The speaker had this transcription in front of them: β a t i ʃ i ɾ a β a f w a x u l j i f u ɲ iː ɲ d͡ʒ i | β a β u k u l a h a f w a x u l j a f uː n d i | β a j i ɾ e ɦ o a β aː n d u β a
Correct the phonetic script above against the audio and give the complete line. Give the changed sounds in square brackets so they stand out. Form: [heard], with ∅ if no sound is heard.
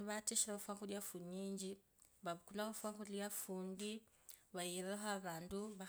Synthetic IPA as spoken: β a t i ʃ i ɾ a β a f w a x u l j [a] f u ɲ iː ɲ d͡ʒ i | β a β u k u l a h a f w a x u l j a f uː n d i | β a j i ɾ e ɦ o a β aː n d u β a

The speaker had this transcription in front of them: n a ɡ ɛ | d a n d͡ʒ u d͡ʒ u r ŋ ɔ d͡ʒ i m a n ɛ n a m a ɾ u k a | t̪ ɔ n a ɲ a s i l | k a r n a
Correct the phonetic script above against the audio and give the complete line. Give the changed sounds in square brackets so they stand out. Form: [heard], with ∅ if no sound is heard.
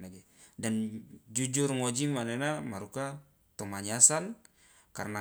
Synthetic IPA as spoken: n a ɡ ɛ | d a n d͡ʒ u d͡ʒ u r ŋ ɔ d͡ʒ i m a n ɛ n a m a ɾ u k a | t̪ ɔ [m] a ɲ a s [a] l | k a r n a

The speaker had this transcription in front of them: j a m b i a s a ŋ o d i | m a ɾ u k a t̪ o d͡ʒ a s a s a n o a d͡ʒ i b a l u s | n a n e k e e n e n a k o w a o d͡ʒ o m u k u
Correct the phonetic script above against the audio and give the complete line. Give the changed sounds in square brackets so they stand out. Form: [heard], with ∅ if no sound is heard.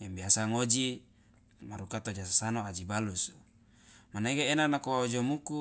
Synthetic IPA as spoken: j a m b i a s a ŋ o [d͡ʒ] i | m a ɾ u k a t̪ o d͡ʒ a s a s a n o a d͡ʒ i b a l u s | [m] a n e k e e n [a] n a k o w a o d͡ʒ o m u k u

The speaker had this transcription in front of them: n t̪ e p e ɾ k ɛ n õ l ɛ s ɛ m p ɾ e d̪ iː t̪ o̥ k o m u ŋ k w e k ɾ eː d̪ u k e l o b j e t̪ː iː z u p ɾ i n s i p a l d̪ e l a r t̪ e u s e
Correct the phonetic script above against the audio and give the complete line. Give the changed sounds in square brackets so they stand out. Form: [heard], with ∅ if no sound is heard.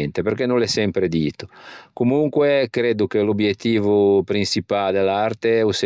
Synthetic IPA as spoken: n t̪ e p e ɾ k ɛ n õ l ɛ s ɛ m p ɾ e d̪ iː t̪ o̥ k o m u ŋ k w e k ɾ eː d̪ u k e l o b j e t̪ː iː [v] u p ɾ i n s i p a l d̪ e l a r t̪ e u s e

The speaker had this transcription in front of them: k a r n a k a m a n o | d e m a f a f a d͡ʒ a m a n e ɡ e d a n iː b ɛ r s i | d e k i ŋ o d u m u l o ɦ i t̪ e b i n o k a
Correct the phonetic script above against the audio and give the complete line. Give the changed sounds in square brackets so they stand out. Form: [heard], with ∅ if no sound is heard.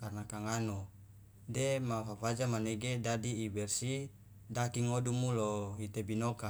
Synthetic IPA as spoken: k a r n a k a [ŋ] a n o | d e m a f a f a d͡ʒ a m a n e ɡ e d a [d] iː b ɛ r s i | d [a] k i ŋ o d u m u l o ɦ i t̪ e b i n o k a

